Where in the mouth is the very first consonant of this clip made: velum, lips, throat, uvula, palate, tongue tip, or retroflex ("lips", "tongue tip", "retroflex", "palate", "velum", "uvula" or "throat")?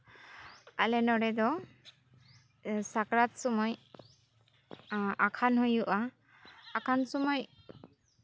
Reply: tongue tip